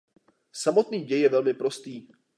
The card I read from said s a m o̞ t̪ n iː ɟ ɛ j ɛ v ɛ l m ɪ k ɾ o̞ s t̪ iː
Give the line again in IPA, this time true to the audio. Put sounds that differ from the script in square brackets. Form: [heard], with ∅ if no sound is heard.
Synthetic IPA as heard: s a m o̞ t̪ n iː ɟ ɛ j ɛ v ɛ l m ɪ [p] ɾ o̞ s t̪ iː